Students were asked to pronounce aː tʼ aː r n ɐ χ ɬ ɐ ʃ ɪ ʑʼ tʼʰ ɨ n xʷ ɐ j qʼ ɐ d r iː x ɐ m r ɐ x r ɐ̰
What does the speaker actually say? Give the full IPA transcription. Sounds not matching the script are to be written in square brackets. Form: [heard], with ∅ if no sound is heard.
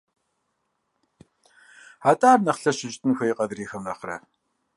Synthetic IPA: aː tʼ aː r n ɐ χ ɬ ɐ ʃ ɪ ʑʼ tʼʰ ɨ n xʷ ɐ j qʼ ɐ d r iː x ɐ m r ɐ [χ] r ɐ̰